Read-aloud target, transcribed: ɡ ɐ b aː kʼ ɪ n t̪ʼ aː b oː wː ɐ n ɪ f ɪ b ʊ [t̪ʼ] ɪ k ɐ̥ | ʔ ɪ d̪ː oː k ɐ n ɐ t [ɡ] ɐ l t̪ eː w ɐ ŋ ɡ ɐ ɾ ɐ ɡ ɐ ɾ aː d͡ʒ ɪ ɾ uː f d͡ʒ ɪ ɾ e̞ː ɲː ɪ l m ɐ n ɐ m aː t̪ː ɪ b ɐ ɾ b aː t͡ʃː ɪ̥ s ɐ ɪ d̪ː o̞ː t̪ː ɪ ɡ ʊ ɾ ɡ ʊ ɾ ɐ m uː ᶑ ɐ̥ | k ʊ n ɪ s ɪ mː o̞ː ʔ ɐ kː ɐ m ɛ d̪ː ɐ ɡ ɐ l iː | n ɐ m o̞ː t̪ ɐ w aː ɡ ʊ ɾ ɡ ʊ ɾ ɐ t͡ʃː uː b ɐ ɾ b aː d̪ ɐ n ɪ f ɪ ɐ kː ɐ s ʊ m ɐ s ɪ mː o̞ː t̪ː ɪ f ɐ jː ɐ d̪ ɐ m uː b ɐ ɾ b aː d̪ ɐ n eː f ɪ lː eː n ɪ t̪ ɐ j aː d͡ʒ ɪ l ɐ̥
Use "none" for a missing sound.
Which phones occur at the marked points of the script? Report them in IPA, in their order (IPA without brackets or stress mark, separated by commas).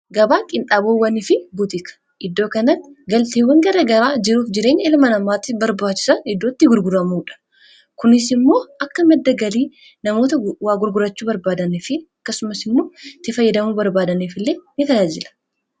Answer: t̪, ɡ